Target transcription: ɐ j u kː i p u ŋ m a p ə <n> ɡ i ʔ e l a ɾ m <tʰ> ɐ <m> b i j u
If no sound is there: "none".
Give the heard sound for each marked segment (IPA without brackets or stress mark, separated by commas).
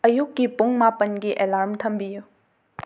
n, tʰ, m